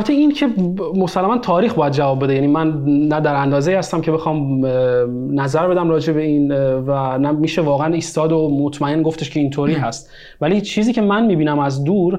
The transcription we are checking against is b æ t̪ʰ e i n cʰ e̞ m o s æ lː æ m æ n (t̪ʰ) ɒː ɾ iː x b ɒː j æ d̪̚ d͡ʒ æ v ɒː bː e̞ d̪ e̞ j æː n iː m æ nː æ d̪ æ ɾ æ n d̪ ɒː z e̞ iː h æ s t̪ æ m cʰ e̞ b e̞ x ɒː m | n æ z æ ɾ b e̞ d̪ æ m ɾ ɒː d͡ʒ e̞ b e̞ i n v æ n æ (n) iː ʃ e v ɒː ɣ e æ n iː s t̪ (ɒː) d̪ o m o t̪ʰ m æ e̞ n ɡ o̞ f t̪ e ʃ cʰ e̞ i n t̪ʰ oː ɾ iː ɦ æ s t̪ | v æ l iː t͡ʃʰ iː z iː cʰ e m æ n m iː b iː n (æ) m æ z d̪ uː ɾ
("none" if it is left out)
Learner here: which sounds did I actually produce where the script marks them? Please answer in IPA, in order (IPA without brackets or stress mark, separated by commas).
t̪ʰ, m, ɒː, æ